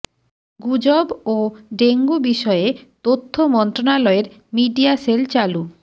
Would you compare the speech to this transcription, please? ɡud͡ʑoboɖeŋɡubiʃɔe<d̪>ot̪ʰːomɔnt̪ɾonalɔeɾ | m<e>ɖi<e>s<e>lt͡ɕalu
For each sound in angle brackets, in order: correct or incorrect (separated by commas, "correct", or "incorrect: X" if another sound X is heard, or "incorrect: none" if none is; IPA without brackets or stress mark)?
incorrect: t̪, incorrect: i, incorrect: a, correct